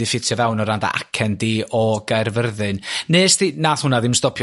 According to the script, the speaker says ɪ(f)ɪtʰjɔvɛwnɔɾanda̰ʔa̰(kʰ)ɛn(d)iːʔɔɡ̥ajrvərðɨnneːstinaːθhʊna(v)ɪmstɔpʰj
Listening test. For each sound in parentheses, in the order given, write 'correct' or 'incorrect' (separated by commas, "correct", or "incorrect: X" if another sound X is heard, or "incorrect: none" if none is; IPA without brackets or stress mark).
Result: correct, correct, correct, incorrect: ð